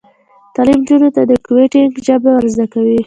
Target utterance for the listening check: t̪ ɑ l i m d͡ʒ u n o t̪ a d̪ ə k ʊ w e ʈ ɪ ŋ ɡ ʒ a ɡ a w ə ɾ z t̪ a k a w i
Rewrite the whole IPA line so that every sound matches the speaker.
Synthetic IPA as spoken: t̪ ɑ l i m d͡ʒ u n o t̪ a d̪ ə k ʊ w e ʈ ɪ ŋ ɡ ʒ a b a w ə ɾ z d̪ a k a w i